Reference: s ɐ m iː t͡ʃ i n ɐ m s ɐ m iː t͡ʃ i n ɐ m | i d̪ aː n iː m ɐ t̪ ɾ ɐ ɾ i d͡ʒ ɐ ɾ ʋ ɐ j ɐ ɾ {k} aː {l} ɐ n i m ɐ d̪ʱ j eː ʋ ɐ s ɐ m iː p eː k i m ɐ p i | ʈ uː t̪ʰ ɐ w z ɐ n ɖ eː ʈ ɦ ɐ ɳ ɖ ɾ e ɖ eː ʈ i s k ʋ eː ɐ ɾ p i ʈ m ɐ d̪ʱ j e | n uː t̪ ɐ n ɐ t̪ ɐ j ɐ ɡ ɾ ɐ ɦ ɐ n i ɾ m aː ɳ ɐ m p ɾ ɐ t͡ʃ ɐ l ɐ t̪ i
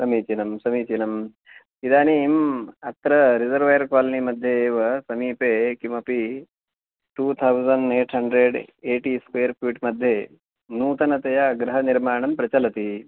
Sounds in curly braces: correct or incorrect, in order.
correct, correct

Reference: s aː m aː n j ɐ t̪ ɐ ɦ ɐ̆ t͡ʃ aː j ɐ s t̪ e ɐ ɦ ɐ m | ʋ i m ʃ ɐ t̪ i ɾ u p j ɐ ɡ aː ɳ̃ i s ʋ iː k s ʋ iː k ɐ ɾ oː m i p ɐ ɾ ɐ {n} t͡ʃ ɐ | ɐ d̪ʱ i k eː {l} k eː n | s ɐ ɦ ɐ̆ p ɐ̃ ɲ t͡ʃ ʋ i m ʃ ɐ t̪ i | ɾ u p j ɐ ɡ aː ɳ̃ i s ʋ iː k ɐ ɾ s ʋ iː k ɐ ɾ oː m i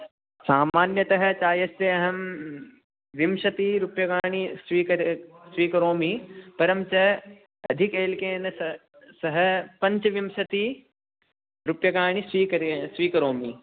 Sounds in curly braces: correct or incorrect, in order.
incorrect, correct

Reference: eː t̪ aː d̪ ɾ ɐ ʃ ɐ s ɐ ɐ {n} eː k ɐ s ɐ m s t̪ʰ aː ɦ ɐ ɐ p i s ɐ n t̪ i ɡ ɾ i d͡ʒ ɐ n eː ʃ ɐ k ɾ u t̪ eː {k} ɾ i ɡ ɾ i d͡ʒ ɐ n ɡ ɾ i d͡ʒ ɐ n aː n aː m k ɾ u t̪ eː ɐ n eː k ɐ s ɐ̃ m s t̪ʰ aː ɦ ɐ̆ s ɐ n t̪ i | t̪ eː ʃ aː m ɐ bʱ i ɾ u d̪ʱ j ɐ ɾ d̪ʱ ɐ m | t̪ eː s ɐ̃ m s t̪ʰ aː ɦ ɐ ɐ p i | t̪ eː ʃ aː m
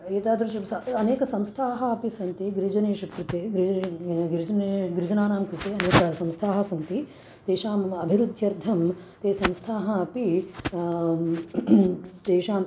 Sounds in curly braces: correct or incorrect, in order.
correct, incorrect

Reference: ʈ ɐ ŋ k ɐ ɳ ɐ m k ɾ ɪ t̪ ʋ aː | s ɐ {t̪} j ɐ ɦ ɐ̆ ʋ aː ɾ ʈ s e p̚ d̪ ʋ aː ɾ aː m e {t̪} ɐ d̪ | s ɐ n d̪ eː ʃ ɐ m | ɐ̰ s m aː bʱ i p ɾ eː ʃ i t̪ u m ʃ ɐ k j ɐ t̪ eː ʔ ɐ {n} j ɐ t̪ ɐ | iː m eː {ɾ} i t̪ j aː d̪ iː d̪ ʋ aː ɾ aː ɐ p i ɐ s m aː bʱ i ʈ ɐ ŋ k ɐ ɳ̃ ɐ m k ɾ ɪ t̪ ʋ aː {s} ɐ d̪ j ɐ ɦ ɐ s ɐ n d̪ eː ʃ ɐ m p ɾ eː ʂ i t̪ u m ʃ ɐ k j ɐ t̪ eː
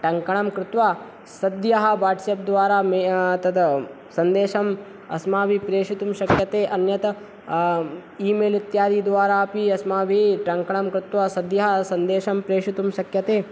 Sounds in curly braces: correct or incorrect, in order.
incorrect, correct, correct, incorrect, correct

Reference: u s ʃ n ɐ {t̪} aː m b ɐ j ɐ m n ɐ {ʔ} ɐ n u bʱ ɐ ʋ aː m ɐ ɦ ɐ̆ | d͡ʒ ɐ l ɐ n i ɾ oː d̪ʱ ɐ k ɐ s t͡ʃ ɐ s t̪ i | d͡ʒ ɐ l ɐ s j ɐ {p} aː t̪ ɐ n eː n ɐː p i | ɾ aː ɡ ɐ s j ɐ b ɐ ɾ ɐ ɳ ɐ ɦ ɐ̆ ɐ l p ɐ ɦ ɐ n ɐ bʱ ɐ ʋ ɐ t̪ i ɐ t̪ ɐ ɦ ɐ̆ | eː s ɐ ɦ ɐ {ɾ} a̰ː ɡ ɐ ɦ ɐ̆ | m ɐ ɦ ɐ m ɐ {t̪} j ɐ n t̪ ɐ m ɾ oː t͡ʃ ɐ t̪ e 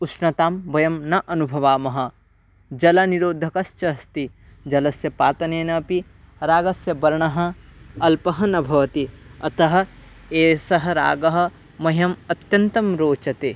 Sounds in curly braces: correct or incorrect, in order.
correct, correct, correct, correct, correct

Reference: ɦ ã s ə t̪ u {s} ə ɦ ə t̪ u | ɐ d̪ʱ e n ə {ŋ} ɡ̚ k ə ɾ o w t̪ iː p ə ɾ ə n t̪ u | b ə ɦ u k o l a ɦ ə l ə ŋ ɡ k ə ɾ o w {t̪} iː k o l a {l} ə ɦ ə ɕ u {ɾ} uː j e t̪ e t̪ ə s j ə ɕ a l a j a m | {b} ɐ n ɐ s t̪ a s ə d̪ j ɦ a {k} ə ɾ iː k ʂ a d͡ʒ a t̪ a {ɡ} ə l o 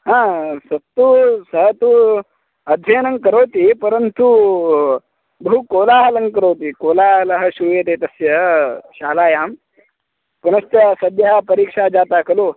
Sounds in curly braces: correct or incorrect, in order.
correct, correct, correct, correct, correct, incorrect, incorrect, incorrect

